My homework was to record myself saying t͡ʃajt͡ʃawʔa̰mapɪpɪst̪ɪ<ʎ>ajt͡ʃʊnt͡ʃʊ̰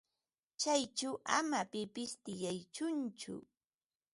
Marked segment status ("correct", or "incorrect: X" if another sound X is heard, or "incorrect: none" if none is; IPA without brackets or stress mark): incorrect: j